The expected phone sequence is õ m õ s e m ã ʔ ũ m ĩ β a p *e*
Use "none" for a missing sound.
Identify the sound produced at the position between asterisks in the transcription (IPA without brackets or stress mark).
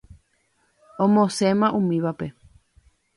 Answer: e